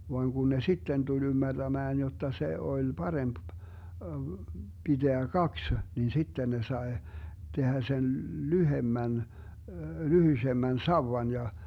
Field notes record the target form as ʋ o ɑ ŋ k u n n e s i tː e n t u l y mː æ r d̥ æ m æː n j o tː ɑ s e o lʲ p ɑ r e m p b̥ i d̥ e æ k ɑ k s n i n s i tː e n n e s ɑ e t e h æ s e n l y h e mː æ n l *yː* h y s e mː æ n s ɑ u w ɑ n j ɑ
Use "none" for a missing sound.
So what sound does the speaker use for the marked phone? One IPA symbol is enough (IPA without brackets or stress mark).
y